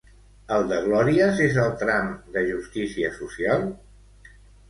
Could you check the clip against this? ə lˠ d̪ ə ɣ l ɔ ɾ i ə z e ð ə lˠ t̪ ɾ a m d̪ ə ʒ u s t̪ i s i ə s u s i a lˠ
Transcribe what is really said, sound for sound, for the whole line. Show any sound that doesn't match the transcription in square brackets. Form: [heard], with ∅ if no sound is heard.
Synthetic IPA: ə lˠ d̪ ə ɣ l ɔ ɾ i ə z e [z] ə lˠ t̪ ɾ a m d̪ ə ʒ u s t̪ i s i ə s u s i a lˠ